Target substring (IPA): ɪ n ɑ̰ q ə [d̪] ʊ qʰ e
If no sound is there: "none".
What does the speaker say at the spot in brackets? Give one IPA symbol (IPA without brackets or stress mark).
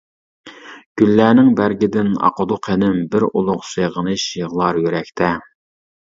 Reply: d̪